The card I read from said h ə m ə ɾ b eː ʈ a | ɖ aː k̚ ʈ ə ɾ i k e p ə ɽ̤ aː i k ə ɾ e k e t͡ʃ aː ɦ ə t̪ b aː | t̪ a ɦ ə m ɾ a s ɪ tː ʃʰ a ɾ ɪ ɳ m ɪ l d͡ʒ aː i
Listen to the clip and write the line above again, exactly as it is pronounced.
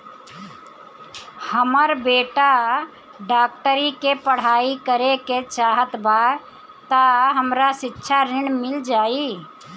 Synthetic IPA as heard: h ə m ə ɾ b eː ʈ a | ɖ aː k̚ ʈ ə ɾ i k e p ə ɽ̤ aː i k ə ɾ e k e t͡ʃ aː ɦ ə t̪ b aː | t̪ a ɦ ə m ɾ a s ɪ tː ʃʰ a ɾ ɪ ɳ m ɪ l d͡ʒ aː i